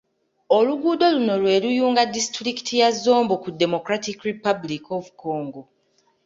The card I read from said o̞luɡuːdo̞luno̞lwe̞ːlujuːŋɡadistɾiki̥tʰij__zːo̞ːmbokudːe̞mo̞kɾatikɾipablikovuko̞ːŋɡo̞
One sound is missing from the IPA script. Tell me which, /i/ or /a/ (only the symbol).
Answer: a